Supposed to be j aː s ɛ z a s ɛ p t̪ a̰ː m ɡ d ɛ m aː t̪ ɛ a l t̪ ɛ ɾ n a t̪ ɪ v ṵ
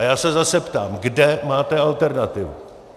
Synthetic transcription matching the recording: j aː s ɛ z a s ɛ p t̪ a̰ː m ɡ d ɛ m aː t̪ ɛ a l t̪ ɛ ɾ n a t̪ ɪ v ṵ